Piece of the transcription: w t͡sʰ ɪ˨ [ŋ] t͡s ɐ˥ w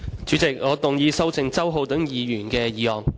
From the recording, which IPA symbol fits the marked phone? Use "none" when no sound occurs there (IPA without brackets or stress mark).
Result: ŋ